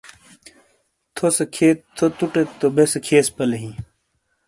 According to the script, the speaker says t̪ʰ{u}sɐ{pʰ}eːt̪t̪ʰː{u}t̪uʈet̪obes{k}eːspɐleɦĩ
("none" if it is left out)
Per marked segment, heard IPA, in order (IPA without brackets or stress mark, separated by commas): o, kʰ, o, kʰ